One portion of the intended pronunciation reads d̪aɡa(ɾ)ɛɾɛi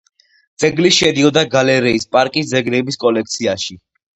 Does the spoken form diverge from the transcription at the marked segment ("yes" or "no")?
yes